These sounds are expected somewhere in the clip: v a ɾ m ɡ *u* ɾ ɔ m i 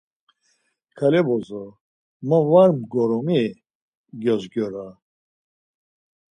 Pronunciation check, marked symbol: incorrect: ɔ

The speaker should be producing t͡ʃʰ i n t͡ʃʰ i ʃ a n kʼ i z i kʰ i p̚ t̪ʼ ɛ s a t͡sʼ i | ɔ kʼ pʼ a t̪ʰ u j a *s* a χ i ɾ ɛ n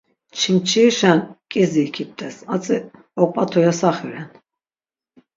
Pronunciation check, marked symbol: correct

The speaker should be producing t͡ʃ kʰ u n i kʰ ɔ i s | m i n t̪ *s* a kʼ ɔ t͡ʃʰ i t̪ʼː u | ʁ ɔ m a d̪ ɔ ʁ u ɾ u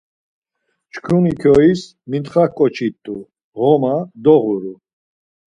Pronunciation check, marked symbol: incorrect: χ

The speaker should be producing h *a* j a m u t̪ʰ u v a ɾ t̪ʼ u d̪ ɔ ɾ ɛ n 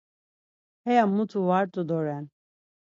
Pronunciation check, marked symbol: incorrect: ɛ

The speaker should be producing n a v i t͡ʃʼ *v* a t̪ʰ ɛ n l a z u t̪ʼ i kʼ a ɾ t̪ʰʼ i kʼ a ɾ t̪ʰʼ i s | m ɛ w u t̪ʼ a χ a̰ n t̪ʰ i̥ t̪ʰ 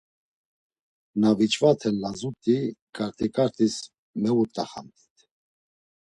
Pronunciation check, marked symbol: correct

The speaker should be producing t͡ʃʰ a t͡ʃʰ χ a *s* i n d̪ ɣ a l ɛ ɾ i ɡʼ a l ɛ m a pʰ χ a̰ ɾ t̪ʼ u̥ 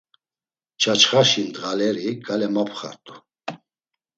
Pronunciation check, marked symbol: incorrect: ʃ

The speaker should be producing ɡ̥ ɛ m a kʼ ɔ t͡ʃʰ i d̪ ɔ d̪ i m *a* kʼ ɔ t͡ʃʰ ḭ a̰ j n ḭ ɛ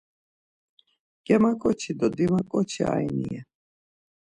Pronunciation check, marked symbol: correct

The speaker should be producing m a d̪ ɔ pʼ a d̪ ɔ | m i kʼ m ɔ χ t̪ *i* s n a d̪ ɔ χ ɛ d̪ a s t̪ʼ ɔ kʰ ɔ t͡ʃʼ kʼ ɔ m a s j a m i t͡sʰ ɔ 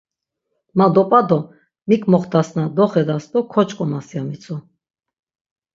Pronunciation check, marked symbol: incorrect: a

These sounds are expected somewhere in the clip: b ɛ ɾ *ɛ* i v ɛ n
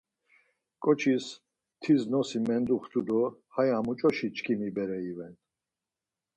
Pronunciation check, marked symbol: correct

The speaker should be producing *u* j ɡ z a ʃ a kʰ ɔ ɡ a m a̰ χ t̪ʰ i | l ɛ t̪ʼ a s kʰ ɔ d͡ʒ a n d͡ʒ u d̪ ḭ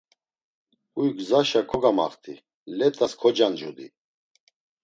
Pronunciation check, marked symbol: correct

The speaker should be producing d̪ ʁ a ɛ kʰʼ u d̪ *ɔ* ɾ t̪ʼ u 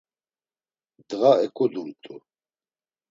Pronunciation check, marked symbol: incorrect: u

